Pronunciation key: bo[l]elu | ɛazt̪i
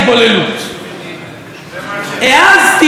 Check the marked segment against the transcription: correct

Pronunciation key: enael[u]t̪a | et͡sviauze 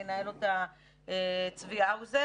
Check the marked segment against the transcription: incorrect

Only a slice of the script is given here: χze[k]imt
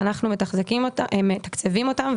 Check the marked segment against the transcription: correct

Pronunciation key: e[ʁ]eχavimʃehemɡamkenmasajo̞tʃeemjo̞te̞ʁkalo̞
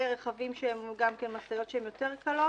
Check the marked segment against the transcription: correct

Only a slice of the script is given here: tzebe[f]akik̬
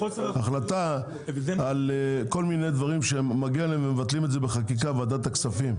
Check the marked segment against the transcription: incorrect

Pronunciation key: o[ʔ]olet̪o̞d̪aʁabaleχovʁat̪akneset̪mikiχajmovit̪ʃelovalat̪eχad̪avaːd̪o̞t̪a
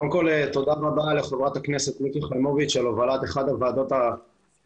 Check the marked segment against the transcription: incorrect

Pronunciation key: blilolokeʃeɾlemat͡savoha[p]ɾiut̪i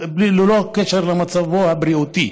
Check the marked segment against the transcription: incorrect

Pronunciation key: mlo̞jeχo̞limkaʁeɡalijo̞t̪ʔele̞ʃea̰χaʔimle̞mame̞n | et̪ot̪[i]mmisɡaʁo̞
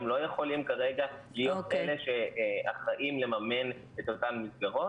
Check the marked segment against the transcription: incorrect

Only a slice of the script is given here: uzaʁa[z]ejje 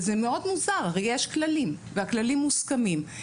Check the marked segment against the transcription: incorrect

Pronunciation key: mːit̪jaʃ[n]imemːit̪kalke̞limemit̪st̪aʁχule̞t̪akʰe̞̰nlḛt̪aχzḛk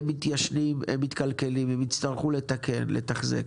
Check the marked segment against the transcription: correct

